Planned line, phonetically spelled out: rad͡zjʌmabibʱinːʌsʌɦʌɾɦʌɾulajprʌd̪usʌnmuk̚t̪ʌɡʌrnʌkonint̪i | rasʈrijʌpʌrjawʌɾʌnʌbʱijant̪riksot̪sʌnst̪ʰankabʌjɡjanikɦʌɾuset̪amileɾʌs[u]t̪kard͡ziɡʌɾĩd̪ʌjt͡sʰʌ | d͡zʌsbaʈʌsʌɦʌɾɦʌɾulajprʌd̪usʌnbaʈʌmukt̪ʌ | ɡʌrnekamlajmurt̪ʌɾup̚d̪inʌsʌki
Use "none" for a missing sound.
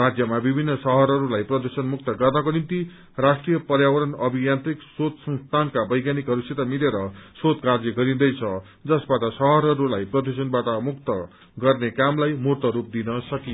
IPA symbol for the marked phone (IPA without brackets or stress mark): o